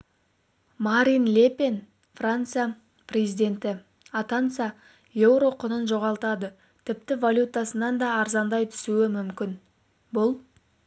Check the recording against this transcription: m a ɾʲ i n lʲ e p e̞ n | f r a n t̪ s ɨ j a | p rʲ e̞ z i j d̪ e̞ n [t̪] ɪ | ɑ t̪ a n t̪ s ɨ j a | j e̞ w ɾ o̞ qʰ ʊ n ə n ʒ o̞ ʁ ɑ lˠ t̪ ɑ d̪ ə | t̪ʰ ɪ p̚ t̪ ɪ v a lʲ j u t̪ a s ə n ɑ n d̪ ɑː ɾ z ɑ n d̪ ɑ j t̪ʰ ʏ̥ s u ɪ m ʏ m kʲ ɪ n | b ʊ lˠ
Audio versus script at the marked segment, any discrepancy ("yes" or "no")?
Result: no